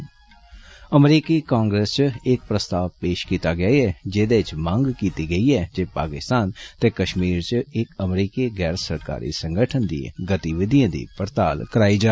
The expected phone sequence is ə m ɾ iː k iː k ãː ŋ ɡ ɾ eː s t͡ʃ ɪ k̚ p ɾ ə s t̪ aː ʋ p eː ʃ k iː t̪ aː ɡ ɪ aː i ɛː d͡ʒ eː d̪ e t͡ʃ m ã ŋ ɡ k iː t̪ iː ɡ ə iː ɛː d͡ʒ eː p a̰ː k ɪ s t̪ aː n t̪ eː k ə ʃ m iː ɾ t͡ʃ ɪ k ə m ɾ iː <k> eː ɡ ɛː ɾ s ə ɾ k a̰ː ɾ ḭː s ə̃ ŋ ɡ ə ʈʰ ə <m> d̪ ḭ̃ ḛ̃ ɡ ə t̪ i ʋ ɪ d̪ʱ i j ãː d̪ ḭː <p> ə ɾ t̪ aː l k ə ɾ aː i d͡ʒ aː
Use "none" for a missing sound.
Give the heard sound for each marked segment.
k, n, p

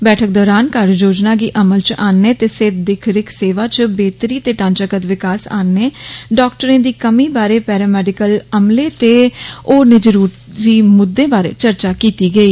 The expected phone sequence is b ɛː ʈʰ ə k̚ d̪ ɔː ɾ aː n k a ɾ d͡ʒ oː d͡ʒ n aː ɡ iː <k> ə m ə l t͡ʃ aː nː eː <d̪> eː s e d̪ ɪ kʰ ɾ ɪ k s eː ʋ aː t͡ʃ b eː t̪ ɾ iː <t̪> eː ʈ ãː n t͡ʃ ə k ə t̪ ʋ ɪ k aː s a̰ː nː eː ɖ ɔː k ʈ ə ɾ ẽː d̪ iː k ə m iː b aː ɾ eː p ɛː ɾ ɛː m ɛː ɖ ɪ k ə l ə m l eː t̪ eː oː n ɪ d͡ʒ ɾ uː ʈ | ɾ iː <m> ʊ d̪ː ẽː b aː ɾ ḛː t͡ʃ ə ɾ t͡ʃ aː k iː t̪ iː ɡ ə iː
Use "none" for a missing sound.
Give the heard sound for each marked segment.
ʔ, t̪, t̪, m

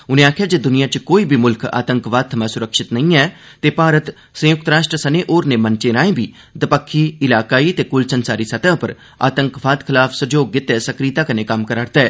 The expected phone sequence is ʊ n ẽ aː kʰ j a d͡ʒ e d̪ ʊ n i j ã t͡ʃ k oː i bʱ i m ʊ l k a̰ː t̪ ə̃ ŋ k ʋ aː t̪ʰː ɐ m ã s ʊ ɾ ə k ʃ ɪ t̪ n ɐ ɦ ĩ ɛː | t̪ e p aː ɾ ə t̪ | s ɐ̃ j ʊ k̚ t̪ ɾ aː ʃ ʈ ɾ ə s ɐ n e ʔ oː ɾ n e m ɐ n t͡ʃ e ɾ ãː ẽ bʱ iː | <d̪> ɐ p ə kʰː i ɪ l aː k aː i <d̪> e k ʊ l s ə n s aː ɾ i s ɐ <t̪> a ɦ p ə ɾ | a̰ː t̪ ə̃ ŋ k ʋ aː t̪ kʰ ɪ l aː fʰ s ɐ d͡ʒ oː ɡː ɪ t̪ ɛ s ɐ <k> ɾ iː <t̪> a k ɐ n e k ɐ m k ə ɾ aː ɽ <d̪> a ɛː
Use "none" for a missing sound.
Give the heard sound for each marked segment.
d̪, t̪, t̪, k, t̪, t̪

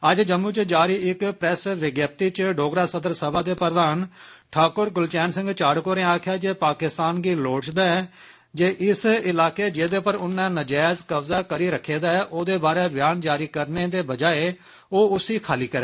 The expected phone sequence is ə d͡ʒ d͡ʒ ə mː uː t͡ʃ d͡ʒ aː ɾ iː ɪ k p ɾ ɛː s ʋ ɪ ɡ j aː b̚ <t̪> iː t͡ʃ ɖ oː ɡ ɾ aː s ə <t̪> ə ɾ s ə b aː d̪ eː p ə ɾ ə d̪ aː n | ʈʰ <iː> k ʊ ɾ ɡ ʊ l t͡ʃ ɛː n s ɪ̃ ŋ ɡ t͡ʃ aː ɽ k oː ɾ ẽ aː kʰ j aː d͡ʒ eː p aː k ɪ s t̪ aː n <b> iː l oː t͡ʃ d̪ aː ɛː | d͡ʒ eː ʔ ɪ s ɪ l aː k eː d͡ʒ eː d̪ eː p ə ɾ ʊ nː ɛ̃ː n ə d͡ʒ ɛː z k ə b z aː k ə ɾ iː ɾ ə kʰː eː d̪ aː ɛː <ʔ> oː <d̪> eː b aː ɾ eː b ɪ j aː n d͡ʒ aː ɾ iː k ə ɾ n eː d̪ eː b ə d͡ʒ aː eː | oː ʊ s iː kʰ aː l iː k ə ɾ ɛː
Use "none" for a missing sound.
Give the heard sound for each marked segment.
t̪, d̪, aː, ɡ, ʔ, d̪

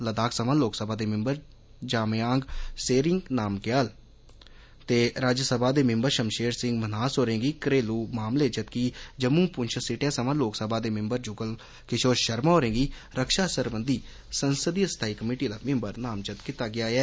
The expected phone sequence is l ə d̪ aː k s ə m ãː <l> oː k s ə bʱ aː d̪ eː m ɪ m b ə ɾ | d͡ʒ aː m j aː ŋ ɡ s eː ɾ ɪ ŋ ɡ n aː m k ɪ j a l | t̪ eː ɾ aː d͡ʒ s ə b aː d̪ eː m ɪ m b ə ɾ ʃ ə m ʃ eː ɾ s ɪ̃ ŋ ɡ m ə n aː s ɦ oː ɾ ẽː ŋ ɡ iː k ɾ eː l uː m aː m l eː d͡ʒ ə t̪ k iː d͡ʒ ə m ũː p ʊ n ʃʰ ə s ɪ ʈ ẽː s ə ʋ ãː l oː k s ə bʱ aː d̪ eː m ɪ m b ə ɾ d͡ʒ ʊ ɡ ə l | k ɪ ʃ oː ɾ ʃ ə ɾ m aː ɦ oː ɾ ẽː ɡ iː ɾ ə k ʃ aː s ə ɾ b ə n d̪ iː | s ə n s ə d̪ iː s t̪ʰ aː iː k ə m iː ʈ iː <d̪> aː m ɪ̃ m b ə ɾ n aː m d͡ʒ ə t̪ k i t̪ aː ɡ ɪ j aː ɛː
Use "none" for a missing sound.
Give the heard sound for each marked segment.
l, d̪

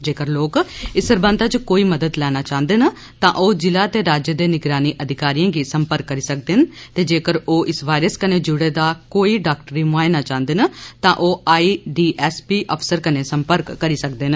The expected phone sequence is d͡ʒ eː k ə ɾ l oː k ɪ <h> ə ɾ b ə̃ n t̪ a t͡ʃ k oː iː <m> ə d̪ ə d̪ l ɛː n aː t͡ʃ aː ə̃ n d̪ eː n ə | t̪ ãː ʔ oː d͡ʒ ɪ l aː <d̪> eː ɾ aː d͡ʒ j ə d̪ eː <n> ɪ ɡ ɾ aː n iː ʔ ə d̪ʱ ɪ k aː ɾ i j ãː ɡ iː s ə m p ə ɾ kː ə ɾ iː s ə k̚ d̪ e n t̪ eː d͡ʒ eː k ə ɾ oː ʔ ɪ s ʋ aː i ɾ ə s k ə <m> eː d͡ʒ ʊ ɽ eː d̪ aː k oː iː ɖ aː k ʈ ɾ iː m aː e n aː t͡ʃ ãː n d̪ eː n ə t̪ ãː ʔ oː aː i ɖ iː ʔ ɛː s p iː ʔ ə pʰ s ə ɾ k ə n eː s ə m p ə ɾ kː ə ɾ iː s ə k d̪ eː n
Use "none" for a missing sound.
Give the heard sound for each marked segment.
s, m, t̪, n, n

